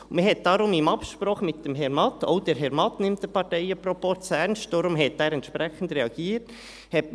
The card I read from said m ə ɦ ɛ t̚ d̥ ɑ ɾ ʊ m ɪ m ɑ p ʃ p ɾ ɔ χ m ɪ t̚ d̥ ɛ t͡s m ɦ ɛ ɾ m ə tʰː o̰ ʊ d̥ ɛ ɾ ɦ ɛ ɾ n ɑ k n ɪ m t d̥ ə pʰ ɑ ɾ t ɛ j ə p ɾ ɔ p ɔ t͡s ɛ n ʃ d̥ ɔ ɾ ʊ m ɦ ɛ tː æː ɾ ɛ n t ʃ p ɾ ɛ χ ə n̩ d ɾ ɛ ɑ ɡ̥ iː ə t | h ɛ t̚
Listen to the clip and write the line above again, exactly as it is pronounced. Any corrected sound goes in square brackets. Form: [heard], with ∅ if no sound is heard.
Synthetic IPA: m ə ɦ ɛ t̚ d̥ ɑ ɾ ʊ m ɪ m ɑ p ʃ p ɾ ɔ χ m ɪ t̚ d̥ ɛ [∅] m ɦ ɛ ɾ m [ɑ] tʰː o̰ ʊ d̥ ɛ ɾ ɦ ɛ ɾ [m] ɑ [t] n ɪ m t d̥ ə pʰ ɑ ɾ t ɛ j ə p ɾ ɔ p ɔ t͡s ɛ n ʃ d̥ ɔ ɾ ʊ m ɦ ɛ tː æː ɾ ɛ n t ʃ p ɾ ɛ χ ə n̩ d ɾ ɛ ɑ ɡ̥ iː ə t | h ɛ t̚